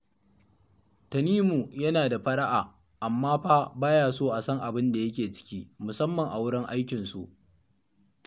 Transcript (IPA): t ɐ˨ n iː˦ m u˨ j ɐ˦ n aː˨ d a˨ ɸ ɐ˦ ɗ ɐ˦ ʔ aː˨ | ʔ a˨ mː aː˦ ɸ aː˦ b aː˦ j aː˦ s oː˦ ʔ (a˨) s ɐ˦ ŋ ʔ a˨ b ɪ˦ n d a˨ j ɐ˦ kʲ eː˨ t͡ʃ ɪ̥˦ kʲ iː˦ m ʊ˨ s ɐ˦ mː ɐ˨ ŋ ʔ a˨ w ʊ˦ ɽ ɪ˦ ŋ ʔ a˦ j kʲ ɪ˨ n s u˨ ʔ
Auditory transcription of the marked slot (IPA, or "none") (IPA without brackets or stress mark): a˨